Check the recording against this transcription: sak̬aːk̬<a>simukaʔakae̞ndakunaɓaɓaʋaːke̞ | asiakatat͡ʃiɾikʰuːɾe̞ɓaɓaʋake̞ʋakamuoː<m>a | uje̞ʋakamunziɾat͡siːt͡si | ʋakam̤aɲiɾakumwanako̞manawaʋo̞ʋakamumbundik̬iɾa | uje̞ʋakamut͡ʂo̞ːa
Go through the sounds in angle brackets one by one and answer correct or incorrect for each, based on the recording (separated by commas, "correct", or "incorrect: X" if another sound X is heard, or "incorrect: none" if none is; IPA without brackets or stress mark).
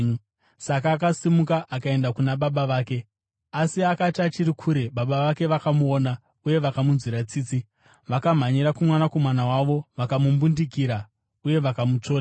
correct, incorrect: n